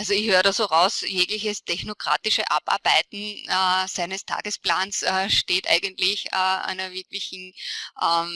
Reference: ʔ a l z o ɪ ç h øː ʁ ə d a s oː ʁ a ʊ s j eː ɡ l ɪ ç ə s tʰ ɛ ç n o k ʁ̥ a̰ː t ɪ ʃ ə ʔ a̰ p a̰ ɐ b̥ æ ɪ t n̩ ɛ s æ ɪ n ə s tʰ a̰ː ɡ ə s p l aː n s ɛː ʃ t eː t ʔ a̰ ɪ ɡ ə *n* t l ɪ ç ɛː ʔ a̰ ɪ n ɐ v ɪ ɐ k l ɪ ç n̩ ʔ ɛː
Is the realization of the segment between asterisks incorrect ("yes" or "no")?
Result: no